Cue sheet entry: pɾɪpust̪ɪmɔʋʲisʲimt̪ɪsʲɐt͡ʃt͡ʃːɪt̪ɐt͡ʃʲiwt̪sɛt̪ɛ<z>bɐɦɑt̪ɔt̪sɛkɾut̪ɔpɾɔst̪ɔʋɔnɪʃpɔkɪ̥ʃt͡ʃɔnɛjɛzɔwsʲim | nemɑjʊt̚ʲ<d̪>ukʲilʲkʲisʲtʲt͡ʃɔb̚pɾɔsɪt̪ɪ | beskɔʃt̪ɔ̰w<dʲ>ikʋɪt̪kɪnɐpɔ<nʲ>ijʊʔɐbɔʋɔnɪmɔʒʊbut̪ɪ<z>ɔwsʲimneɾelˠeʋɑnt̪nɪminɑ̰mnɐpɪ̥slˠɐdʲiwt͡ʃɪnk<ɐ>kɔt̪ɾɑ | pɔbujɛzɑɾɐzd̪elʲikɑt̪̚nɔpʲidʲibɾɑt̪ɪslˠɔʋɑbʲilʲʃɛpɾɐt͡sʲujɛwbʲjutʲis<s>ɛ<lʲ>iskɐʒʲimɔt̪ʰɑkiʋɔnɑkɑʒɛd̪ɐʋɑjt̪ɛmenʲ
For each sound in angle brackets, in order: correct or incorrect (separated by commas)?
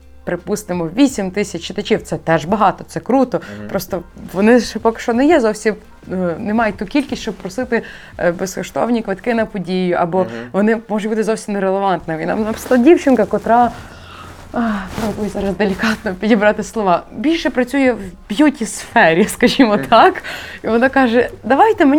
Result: incorrect, incorrect, incorrect, incorrect, correct, correct, incorrect, incorrect